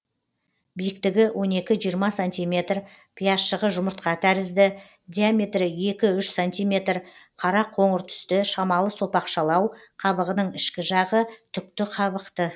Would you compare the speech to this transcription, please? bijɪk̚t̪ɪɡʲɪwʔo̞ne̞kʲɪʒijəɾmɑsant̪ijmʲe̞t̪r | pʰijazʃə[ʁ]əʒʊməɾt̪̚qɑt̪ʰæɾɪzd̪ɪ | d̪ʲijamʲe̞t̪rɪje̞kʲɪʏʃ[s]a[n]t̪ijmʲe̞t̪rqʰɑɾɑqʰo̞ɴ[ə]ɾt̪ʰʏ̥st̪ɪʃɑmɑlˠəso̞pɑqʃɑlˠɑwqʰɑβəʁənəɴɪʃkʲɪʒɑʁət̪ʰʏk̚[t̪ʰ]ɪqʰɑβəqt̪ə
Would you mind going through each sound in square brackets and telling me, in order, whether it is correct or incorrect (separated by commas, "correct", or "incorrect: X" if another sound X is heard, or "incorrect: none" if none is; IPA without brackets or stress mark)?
correct, correct, correct, correct, incorrect: t̪